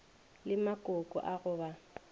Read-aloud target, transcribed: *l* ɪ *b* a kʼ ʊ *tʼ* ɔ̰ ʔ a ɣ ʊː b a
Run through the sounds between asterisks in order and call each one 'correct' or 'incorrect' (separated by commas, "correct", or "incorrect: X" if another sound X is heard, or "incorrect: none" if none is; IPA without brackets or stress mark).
correct, incorrect: m, incorrect: kʼ